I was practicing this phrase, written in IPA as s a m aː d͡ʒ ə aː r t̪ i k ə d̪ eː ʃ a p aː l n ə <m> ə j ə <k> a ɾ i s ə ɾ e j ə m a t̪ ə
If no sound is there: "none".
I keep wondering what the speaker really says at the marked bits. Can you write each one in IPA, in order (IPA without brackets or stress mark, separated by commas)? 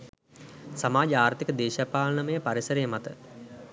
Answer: m, p